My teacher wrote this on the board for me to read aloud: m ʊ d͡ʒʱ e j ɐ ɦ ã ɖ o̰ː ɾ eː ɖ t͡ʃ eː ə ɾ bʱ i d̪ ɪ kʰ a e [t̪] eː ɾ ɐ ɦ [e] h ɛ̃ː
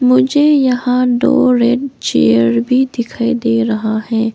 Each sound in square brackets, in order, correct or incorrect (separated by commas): incorrect, incorrect